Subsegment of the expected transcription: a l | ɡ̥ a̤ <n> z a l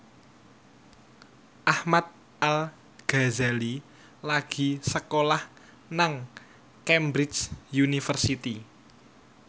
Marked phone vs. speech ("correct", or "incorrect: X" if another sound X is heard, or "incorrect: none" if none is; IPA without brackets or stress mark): incorrect: none